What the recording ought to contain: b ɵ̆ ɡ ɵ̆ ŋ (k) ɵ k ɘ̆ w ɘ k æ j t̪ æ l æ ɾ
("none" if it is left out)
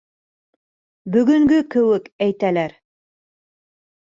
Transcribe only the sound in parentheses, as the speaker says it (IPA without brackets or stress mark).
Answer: ɡ